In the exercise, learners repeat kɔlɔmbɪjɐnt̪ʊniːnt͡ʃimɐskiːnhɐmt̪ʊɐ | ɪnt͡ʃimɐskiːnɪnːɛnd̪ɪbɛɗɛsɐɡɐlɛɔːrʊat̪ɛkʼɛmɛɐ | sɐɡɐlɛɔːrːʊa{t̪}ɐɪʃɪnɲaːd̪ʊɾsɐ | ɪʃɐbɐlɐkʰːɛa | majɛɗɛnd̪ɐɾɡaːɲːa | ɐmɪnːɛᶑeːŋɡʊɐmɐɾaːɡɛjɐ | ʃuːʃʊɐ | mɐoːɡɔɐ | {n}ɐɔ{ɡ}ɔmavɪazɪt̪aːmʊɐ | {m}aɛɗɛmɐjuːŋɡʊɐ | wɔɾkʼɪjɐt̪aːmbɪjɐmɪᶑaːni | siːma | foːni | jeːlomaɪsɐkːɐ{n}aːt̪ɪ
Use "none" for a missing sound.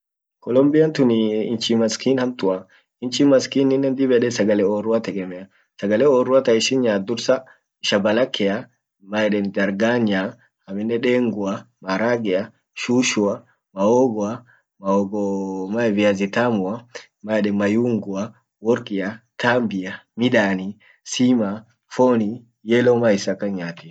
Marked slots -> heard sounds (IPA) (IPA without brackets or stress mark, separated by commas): t̪, m, ɡ, m, ɲ